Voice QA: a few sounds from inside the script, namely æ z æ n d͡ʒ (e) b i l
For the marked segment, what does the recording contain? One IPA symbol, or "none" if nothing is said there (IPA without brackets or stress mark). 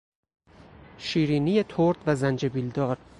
e